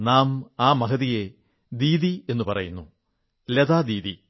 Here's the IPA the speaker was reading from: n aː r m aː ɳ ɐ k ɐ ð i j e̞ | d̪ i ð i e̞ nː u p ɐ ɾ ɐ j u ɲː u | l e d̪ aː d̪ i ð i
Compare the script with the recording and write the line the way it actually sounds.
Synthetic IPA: n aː m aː m ɐ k ɐ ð i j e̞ | d̪ iː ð i e̞ nː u p ɐ r ɐ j u nː u | l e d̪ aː d̪ iː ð i